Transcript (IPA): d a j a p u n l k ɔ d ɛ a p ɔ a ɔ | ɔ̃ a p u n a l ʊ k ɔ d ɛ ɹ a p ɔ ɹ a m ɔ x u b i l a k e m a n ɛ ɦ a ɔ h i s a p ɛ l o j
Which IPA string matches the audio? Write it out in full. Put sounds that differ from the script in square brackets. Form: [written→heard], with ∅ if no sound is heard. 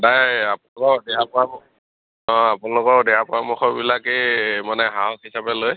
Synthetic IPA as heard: d a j a p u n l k ɔ d ɛ a p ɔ a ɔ | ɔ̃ a p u n a l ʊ k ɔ d ɛ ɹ a p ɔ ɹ a m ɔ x [u→ɔ] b i l a k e m a n ɛ ɦ a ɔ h i s a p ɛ l o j